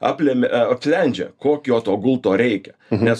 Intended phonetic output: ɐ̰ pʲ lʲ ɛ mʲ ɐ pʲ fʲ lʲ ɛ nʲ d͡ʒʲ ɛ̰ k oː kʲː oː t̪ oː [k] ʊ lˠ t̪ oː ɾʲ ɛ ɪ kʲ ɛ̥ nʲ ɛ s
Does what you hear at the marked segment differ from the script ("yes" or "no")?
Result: yes